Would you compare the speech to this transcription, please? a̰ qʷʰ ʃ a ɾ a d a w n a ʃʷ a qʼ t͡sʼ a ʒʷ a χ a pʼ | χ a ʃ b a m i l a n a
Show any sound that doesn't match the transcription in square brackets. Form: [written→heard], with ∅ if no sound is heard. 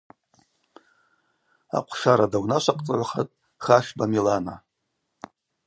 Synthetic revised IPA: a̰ qʷʰ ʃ a ɾ a d a w n a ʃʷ a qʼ t͡sʼ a [ʒʷ→ʕʷ] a χ a [pʼ→tʼ] | χ a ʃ b a m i l a n a